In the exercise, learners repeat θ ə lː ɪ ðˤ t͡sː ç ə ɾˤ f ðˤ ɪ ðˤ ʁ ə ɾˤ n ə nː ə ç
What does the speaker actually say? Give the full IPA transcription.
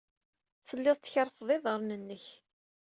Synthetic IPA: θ ə lː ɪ ðˤ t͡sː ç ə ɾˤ f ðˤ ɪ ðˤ ʁ ə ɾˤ n ə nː ə ç